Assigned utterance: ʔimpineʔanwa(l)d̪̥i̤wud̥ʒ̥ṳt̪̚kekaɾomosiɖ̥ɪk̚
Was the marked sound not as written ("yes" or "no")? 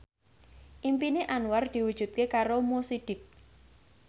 yes